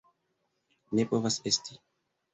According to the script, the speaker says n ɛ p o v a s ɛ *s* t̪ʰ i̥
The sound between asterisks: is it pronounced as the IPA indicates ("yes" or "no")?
yes